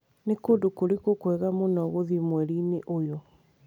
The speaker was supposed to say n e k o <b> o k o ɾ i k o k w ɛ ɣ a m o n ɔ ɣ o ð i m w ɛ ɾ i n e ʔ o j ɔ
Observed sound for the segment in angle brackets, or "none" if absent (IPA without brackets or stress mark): d